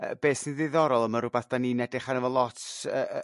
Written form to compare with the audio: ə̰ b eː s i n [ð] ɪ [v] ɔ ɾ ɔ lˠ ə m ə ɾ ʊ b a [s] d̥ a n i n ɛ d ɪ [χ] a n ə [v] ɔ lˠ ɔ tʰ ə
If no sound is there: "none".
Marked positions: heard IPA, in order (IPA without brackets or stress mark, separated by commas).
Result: ð, ð, θ, χ, v